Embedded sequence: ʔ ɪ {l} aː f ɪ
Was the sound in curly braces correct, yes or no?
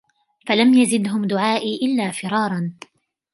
no